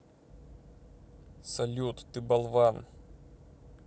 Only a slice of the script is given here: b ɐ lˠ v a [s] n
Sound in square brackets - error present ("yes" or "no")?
yes